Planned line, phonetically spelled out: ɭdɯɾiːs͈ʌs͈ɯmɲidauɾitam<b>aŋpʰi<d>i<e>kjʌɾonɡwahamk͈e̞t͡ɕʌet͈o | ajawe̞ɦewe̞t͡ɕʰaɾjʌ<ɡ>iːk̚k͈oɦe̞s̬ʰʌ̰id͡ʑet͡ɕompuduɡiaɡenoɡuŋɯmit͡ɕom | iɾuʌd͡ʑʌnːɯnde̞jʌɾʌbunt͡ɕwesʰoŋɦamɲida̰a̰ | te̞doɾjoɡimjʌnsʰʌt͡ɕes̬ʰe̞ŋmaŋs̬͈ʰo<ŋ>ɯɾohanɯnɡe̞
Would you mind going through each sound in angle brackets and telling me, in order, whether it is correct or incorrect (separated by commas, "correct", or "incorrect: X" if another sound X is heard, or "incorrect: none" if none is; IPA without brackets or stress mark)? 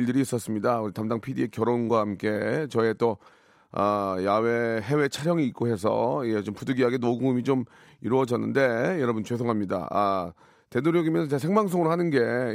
incorrect: d, correct, correct, incorrect: ŋ, correct